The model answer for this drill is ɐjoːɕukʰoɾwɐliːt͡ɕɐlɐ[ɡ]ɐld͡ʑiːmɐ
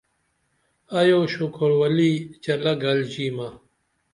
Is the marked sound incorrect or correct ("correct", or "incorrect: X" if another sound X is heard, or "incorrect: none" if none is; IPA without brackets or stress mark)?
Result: correct